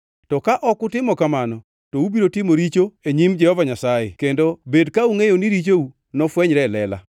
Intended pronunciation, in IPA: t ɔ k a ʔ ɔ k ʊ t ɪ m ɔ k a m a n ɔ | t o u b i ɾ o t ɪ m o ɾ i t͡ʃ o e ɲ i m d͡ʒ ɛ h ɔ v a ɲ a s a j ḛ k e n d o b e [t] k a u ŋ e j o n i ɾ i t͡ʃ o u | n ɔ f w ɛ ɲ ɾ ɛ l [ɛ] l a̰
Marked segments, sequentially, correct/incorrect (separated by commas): incorrect, correct